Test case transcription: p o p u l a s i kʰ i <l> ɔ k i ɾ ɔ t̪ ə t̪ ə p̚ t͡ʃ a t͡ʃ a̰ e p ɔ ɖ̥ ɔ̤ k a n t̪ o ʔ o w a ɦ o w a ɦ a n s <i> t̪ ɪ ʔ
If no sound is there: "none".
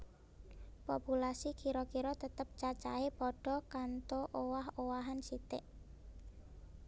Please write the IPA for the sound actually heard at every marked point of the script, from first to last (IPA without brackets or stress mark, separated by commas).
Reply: ɾ, i